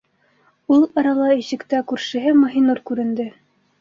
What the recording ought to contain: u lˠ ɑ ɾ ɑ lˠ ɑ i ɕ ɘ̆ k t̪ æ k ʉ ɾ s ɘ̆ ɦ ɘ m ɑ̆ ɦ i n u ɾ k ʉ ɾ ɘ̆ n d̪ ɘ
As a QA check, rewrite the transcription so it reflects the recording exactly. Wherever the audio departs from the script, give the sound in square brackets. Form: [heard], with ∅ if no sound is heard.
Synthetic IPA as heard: u lˠ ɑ ɾ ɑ lˠ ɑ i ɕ ɘ̆ k t̪ æ k ʉ ɾ [ʃ] ɘ̆ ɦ ɘ m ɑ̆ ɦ i n u ɾ k ʉ ɾ ɘ̆ n d̪ ɘ

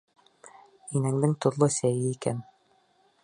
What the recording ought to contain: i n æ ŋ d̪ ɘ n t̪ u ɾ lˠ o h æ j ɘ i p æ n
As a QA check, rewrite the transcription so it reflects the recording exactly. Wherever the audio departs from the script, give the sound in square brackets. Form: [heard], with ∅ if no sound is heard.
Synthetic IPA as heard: i n æ ŋ d̪ ɘ [ŋ] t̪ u ɾ lˠ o [s] æ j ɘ i [k] æ n

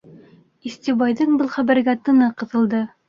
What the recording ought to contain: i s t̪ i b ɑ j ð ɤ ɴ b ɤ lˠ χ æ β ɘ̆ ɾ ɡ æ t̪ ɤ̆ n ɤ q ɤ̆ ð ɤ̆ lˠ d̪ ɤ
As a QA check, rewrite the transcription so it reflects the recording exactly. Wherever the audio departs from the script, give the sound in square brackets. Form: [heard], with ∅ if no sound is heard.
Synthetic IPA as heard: i s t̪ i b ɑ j ð ɤ ɴ b ɤ lˠ χ æ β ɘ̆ ɾ ɡ æ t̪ ɤ̆ n ɤ q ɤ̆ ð ɤ̆ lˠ d̪ ɤ

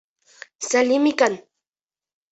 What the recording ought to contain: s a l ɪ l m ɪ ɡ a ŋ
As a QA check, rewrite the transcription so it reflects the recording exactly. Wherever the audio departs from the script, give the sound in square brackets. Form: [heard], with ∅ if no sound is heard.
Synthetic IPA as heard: s a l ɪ [∅] m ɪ [k] a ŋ

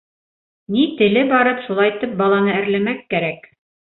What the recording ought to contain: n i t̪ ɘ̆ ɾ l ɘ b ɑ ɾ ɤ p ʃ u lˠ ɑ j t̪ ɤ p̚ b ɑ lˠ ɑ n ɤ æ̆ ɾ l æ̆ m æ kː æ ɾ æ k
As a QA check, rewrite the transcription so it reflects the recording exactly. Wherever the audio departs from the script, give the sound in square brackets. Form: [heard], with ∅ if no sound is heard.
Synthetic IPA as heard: n i t̪ ɘ̆ [∅] l ɘ b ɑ ɾ ɤ p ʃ u lˠ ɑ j t̪ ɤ p̚ b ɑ lˠ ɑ n ɤ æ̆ ɾ l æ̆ m æ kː æ ɾ æ k

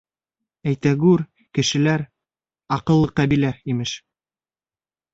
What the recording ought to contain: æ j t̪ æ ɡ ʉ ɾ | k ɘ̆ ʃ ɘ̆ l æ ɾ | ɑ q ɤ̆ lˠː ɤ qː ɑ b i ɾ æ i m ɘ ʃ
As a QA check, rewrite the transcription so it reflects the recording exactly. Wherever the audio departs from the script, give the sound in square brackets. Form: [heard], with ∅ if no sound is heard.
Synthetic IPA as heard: æ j t̪ æ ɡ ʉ ɾ | k ɘ̆ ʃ ɘ̆ l æ ɾ | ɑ q ɤ̆ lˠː ɤ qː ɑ b i [l] æ i m ɘ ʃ

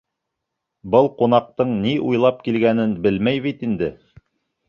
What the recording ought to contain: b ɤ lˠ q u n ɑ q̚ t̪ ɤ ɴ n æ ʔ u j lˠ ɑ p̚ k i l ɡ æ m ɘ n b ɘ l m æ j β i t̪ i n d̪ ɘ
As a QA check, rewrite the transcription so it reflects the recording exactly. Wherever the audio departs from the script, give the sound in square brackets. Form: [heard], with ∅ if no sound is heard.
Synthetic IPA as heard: b ɤ lˠ q u n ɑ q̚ t̪ ɤ ɴ n [i] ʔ u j lˠ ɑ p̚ k i l ɡ æ [n] ɘ n b ɘ l m æ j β i t̪ i n d̪ ɘ

